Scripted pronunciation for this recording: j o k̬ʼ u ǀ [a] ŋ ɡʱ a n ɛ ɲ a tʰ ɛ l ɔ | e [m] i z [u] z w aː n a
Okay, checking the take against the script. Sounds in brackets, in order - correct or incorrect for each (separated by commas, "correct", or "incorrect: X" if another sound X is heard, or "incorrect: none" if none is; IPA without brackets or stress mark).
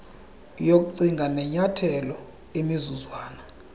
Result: incorrect: i, correct, correct